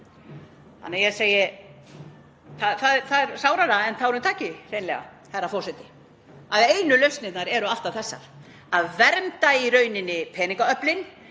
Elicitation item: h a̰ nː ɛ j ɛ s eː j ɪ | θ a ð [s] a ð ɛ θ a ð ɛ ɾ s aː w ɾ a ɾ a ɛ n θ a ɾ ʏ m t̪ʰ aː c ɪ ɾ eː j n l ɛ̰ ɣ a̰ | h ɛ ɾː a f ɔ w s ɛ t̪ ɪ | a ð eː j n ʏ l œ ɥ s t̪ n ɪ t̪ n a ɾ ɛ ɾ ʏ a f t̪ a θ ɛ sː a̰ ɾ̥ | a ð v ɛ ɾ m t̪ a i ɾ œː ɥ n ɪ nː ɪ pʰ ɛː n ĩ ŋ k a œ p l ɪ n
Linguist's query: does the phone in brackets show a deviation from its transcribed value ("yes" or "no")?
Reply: yes